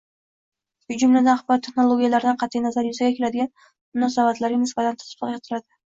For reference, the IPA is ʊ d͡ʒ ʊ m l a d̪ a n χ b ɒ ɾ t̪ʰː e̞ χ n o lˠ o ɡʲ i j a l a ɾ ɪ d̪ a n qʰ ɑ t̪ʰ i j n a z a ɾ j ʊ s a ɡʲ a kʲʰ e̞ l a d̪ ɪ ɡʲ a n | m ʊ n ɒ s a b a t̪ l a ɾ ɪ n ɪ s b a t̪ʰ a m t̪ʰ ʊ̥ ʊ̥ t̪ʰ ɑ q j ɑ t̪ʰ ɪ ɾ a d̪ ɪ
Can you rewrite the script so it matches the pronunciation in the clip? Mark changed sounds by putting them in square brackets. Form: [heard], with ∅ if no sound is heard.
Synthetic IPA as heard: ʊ d͡ʒ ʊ m l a d̪ a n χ b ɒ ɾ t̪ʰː e̞ χ n o lˠ o ɡʲ i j a l a ɾ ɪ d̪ a n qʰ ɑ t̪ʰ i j n a z a ɾ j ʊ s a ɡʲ a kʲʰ e̞ l a d̪ ɪ ɡʲ a n | m ʊ n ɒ s a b a t̪ l a ɾ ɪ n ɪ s b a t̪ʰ a [n] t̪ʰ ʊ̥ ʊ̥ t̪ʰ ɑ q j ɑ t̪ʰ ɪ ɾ a d̪ ɪ